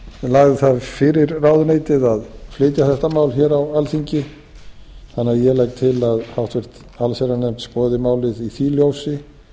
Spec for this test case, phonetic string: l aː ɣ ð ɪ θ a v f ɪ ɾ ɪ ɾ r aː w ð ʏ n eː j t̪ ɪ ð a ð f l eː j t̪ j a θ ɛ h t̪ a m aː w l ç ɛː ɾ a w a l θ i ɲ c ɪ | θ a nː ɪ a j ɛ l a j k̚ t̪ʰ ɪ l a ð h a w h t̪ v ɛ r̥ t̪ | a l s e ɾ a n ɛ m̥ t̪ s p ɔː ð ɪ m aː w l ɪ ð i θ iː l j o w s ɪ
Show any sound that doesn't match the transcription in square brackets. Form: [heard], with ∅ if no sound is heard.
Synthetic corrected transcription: l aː ɣ ð ɪ θ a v f ɪ ɾ ɪ ɾ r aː w ð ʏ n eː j t̪ ɪ ð a ð f l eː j t̪ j a θ ɛ h t̪ a m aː w l ç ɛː ɾ a w a l θ i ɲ c ɪ | θ a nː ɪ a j ɛ l a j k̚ t̪ʰ ɪ l a ð h a w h t̪ v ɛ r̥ t̪ | a l s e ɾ a n ɛ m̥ t̪ s p ɔː ð ɪ m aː w l ɪ ð i θ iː l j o w s ɪ